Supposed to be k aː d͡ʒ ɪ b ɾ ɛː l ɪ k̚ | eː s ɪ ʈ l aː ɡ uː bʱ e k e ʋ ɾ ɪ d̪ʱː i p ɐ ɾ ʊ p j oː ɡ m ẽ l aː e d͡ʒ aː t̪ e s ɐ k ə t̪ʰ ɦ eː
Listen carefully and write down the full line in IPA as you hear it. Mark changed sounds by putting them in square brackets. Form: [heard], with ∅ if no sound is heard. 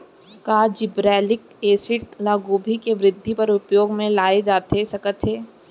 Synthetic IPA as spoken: k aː d͡ʒ ɪ b ɾ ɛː l ɪ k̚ | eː s ɪ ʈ l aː ɡ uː bʱ [i] k e ʋ ɾ ɪ d̪ʱː i p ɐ ɾ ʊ p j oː ɡ m ẽ l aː e d͡ʒ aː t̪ e s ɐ k ə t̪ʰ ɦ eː

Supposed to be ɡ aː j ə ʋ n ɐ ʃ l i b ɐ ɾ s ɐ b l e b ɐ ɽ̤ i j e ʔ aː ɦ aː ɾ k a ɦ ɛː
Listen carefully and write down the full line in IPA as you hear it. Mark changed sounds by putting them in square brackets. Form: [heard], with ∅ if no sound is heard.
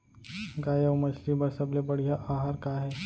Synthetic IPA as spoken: ɡ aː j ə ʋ [m] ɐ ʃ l i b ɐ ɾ s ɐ b l e b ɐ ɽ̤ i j [a] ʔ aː ɦ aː ɾ k a ɦ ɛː

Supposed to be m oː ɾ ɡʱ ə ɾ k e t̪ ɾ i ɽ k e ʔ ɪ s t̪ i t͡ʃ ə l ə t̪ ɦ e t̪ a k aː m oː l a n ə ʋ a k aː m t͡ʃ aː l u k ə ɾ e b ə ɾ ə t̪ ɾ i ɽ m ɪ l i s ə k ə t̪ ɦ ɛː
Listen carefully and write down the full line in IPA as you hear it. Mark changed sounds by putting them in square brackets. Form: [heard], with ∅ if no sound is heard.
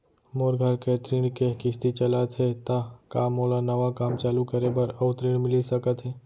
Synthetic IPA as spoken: m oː ɾ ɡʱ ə ɾ k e t̪ ɾ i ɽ k e [k] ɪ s t̪ i t͡ʃ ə l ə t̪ ɦ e t̪ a k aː m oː l a n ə ʋ a k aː m t͡ʃ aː l u k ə ɾ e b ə ɾ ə t̪ ɾ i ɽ m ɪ l i s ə k ə t̪ ɦ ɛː

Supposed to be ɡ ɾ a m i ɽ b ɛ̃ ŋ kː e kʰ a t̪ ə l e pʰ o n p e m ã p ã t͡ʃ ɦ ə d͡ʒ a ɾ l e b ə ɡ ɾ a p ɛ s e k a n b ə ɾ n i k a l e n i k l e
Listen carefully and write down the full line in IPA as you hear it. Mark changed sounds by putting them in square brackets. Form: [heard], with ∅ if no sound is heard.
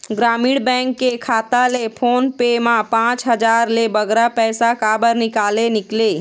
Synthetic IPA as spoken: ɡ ɾ a m i ɽ b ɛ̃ ŋ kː e kʰ a t̪ [a] l e pʰ o n p e m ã p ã t͡ʃ ɦ ə d͡ʒ a ɾ l e b ə ɡ ɾ a p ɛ s [a] k a [∅] b ə ɾ n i k a l e n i k l e

